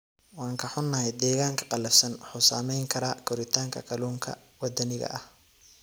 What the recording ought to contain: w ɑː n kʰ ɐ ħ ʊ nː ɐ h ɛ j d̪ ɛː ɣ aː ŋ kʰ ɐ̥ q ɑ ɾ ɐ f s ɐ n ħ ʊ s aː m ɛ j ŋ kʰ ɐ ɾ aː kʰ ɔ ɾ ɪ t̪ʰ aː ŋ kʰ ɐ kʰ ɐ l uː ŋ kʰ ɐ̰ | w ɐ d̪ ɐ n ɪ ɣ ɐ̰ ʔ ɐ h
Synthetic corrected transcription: w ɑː ŋ kʰ ɐ ħ ʊ nː ɐ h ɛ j d̪ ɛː ɣ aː ŋ kʰ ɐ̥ q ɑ l ɐ f s ɐ n ħ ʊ s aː m ɛ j ŋ kʰ ɐ ɾ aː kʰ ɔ ɾ ɪ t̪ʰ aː ŋ kʰ ɐ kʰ ɐ l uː ŋ kʰ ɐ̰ | w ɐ d̪ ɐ n ɪ ɣ ɐ̰ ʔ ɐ h